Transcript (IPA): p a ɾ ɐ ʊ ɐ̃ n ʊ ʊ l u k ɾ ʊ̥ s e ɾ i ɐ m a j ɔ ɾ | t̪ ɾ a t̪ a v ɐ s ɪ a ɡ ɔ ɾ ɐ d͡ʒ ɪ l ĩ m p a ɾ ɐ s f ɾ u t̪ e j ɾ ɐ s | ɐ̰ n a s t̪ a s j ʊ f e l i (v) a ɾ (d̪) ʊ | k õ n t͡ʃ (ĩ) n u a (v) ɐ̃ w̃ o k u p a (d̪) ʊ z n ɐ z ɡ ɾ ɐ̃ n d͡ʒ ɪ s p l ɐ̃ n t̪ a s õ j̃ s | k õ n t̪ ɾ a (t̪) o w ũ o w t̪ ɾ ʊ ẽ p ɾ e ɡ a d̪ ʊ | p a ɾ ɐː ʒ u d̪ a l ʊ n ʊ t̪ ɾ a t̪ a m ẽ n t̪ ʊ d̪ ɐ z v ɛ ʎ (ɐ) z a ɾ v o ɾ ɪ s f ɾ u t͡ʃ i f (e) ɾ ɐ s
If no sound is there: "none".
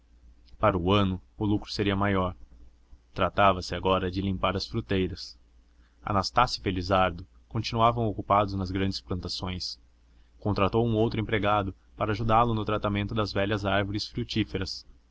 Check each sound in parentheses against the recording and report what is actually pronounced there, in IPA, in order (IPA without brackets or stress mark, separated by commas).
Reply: z, d̪, i, v, d̪, t̪, ɐ, e